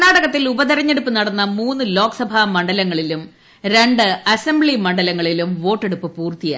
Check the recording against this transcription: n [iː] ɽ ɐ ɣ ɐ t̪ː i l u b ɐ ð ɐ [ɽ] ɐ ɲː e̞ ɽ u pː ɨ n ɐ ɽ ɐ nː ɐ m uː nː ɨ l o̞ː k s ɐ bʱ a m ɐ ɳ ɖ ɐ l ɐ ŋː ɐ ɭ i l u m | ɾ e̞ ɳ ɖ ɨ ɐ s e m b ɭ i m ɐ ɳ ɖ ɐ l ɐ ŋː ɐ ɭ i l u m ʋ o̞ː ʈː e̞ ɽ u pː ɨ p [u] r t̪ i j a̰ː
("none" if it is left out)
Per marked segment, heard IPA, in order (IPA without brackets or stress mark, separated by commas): aː, ɾ, uː